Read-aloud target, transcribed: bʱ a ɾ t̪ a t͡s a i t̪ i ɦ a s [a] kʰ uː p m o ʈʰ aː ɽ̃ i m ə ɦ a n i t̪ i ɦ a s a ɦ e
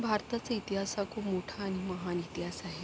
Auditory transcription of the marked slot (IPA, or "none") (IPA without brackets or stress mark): a